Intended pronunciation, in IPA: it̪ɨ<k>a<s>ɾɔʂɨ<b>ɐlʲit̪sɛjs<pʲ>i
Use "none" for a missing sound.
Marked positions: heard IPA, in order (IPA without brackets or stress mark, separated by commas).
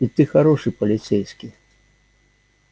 x, none, p, kʲ